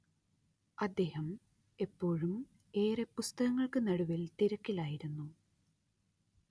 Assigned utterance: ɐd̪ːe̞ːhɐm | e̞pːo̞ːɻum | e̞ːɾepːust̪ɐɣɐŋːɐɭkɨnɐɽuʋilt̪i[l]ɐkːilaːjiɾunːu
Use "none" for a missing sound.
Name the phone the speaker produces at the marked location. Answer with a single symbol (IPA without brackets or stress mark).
ɾ